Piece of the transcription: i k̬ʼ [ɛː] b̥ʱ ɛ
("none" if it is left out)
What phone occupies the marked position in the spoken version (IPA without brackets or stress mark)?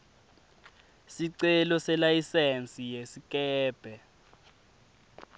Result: ɛː